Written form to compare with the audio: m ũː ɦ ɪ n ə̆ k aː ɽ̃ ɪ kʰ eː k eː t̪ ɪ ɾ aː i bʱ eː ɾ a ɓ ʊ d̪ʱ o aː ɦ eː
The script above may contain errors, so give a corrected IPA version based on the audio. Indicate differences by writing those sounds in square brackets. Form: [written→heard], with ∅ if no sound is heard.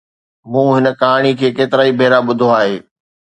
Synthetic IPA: m ũː ɦ ɪ n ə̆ k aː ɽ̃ [ɪ→i] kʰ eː k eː t̪ ɪ ɾ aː i bʱ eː ɾ a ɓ ʊ d̪ʱ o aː ɦ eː